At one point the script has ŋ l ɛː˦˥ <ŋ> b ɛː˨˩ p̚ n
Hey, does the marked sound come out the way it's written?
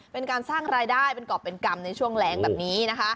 yes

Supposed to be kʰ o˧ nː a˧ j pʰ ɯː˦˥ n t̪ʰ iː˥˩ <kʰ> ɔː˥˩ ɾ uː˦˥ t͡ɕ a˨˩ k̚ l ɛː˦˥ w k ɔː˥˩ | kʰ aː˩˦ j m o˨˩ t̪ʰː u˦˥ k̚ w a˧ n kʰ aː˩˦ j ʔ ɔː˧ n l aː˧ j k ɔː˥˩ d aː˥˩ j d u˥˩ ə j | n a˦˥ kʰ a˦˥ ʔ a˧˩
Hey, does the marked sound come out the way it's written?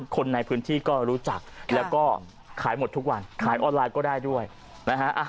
no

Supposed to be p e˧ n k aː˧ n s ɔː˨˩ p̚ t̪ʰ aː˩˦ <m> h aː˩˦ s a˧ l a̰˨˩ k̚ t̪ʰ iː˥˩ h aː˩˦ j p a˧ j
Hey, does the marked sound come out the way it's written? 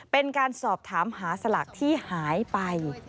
yes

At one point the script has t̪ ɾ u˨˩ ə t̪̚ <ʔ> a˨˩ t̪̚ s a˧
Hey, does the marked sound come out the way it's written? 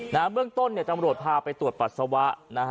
no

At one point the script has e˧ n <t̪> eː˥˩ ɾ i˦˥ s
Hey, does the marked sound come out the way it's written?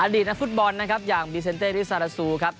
yes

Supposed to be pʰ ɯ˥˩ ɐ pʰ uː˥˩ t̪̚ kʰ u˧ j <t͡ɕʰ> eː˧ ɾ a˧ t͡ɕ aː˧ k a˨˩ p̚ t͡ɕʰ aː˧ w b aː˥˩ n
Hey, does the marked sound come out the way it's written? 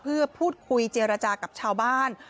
no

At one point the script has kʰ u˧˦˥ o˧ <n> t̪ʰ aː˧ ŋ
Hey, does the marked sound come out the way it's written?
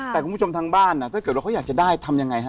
no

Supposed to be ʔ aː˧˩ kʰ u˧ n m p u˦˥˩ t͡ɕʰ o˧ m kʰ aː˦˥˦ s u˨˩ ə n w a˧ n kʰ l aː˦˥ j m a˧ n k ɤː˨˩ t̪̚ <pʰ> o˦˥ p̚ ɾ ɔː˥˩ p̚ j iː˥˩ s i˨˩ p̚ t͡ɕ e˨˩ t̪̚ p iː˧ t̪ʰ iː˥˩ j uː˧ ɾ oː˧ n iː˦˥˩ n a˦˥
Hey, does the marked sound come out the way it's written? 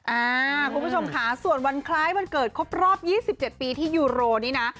no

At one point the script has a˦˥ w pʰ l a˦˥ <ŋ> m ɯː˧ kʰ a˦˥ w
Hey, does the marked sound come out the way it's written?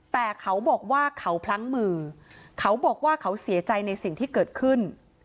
yes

